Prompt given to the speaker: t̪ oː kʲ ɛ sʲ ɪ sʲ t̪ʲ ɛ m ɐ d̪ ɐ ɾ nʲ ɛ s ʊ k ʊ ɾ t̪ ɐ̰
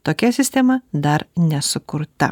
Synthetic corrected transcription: t̪ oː kʲ ɛ sʲ ɪ sʲ t̪ʲ ɛ m ɐ d̪ ɐ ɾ nʲ ɛ s ʊ k ʊ ɾ t̪ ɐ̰